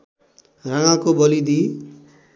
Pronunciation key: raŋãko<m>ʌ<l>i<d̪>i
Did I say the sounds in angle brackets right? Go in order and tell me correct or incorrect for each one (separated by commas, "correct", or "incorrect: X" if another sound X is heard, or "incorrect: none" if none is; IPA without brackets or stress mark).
incorrect: b, correct, correct